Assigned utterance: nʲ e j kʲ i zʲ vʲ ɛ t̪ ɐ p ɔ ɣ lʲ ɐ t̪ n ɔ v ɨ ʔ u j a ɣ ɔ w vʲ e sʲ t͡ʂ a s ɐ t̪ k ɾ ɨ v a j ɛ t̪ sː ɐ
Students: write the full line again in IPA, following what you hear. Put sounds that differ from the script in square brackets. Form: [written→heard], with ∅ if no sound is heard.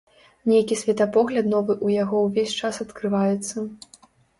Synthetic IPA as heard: nʲ e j kʲ i [zʲ→sʲ] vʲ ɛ t̪ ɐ p ɔ ɣ lʲ ɐ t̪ n ɔ v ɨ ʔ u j a ɣ ɔ w vʲ e sʲ t͡ʂ a s ɐ t̪ k ɾ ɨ v a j ɛ t̪ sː ɐ